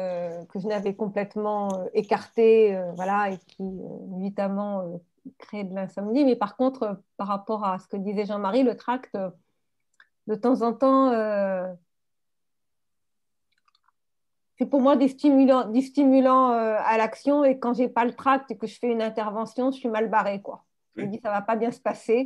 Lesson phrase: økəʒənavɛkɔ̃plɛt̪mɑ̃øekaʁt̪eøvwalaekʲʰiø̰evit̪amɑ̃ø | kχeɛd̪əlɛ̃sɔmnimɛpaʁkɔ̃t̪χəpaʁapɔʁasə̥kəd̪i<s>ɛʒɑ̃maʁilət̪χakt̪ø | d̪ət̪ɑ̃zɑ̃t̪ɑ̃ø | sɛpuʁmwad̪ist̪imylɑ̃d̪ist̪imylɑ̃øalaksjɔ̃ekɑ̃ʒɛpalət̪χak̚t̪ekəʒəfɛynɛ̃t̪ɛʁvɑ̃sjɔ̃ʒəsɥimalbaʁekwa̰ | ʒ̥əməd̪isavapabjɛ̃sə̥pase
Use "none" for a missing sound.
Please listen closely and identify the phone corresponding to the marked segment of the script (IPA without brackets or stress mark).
z